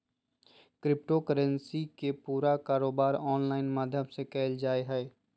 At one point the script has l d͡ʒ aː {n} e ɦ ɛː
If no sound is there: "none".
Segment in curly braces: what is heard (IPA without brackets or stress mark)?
none